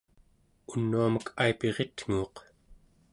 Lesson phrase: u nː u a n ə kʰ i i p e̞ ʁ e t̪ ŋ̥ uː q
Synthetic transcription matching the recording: u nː u a m ə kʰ a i p e̞ ʁ e t̪ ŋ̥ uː q